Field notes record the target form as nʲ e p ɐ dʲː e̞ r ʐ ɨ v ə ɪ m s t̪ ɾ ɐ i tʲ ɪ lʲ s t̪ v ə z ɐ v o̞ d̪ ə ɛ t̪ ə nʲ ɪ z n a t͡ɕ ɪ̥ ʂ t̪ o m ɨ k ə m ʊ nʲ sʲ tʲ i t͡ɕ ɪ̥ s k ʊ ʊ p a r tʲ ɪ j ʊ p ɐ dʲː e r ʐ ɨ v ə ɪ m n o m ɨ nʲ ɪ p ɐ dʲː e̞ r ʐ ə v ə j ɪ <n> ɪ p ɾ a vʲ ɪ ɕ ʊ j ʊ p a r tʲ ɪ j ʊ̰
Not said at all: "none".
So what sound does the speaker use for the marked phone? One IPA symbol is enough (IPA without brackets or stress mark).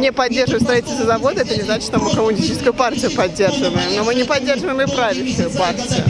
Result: m